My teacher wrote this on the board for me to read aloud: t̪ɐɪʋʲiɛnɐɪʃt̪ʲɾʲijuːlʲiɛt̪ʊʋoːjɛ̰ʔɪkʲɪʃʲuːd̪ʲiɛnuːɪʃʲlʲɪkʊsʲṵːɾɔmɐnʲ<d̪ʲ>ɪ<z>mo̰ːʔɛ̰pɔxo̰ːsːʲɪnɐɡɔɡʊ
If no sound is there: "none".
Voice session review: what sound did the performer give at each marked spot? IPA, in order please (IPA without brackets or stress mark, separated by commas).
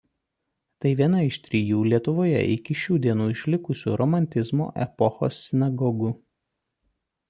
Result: t̪ʲ, z